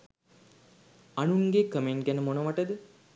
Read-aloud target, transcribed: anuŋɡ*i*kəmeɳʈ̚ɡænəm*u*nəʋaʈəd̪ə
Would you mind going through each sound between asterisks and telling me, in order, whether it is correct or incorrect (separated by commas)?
incorrect, incorrect